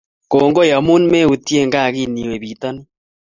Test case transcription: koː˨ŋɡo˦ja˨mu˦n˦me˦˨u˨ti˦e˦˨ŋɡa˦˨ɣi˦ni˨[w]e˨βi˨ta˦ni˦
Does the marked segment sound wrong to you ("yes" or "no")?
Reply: no